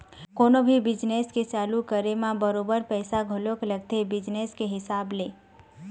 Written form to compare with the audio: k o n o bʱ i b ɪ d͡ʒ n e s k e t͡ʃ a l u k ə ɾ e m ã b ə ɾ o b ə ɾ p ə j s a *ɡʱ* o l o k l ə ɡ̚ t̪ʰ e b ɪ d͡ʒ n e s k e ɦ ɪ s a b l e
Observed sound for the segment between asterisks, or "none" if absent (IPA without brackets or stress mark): ɡʱ